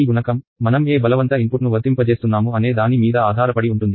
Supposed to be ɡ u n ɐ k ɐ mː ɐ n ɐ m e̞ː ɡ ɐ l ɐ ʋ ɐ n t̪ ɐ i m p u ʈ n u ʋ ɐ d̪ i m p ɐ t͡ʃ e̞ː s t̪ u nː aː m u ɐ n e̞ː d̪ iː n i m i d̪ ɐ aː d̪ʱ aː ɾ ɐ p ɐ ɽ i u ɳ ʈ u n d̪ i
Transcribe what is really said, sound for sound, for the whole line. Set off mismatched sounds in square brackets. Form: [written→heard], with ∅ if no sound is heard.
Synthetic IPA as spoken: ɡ u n ɐ k ɐ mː ɐ n ɐ m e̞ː [ɡ→b] ɐ l ɐ ʋ ɐ n t̪ ɐ i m p u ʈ n u ʋ ɐ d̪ i m p ɐ t͡ʃ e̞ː s t̪ u nː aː m u ɐ n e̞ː d̪ [iː→aː] n i m [i→iː] d̪ ɐ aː d̪ʱ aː ɾ ɐ p ɐ ɽ i u ɳ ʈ u n d̪ i